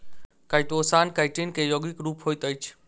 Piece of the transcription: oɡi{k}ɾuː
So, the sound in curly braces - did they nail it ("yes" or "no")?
yes